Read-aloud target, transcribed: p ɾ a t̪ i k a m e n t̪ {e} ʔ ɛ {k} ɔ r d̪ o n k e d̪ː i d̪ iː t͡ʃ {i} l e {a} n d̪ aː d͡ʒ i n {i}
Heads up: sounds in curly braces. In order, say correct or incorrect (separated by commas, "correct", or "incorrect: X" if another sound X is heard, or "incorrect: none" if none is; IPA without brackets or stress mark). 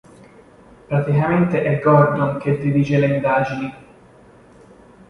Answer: correct, incorrect: ɡ, incorrect: e, incorrect: i, correct